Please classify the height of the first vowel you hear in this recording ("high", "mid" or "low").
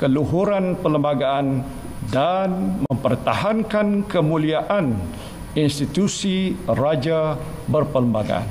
mid